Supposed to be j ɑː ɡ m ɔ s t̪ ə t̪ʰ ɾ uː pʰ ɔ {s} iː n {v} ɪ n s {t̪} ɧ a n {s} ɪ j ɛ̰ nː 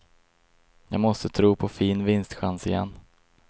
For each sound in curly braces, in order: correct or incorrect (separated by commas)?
incorrect, correct, correct, correct